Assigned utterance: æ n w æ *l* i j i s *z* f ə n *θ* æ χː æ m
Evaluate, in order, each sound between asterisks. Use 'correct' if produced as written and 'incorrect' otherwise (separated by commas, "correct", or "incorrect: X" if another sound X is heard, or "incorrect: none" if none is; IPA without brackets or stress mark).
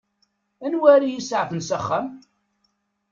incorrect: ɾ, incorrect: ʕ, incorrect: s